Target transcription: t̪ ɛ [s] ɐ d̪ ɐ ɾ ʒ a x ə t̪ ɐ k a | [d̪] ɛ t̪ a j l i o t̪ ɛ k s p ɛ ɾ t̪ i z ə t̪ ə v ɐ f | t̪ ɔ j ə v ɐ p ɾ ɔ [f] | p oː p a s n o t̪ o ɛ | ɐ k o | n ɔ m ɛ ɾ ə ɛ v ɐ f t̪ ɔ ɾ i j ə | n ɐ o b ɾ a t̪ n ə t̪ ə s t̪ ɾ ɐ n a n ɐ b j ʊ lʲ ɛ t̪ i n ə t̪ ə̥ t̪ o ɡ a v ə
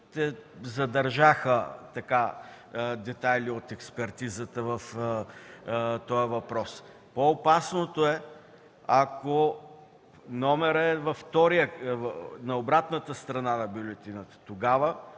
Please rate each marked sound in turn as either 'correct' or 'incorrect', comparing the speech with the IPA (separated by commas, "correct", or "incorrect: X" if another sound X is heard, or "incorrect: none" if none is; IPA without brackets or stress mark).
incorrect: z, correct, incorrect: s